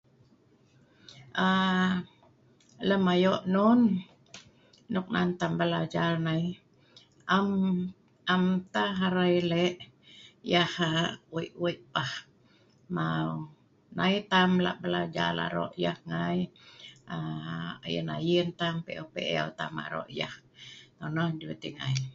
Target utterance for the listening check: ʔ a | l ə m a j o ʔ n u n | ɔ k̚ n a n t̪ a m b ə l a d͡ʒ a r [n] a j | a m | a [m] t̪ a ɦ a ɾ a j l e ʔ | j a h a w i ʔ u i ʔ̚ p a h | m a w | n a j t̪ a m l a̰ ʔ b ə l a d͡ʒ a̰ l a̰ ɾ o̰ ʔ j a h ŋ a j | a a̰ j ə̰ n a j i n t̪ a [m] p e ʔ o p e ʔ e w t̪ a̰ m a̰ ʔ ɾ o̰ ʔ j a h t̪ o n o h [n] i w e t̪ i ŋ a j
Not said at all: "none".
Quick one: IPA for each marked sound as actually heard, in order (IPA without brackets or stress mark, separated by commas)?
n, m, m, d